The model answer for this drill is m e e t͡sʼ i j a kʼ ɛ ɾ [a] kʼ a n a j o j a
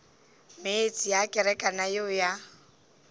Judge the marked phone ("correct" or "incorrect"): incorrect